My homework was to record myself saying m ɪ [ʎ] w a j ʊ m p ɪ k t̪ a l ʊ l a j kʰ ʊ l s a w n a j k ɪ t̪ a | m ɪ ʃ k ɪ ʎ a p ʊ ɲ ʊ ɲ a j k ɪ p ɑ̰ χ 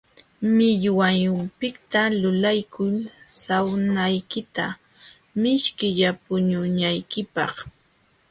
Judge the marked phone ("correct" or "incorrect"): correct